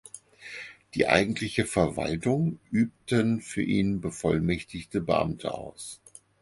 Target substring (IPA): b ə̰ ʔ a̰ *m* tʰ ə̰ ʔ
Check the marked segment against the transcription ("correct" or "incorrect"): correct